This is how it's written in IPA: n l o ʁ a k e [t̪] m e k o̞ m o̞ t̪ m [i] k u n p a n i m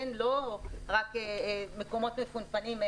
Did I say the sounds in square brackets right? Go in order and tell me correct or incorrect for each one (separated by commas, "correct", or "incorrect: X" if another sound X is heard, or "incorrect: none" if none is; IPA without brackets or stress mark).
incorrect: none, incorrect: e